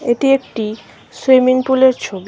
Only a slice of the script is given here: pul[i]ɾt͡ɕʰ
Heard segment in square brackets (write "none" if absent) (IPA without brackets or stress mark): e